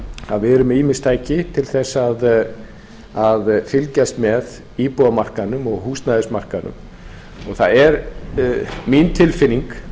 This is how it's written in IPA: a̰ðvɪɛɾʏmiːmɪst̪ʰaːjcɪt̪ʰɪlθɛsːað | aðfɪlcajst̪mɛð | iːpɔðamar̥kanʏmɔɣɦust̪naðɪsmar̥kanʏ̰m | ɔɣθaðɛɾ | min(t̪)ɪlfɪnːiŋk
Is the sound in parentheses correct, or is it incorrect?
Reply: incorrect